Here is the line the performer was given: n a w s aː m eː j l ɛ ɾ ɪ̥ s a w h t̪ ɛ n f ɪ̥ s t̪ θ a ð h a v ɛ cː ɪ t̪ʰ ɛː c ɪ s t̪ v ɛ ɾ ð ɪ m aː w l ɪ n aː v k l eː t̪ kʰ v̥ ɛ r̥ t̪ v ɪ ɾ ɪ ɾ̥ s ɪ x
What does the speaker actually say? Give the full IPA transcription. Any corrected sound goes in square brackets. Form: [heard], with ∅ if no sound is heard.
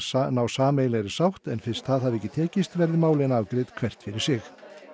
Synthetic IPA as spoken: n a w s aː m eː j l ɛ ɾ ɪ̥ s a w h t̪ ɛ n f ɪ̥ s t̪ θ a ð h a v ɛ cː ɪ t̪ʰ ɛː c ɪ s t̪ v ɛ ɾ ð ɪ m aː w l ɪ n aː v k [ɾ] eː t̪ kʰ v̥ ɛ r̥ t̪ [f] ɪ ɾ ɪ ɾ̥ s ɪ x